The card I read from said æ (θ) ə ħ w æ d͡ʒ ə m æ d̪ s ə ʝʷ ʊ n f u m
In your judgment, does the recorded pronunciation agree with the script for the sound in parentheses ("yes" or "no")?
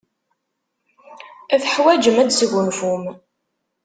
yes